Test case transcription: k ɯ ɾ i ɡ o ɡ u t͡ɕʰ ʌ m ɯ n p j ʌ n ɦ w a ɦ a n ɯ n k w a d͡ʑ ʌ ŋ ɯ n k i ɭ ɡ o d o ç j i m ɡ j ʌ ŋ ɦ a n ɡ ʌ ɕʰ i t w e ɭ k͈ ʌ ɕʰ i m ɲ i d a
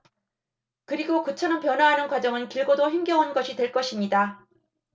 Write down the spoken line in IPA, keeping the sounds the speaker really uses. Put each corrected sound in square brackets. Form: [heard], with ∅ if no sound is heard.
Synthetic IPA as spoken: k ɯ ɾ i ɡ o [k] u t͡ɕʰ ʌ [n] ɯ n p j ʌ n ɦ w a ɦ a n ɯ n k w a d͡ʑ ʌ ŋ ɯ n k i ɭ ɡ o d o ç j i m ɡ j ʌ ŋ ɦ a n ɡ ʌ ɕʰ i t w e ɭ k͈ ʌ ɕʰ i m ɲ i d a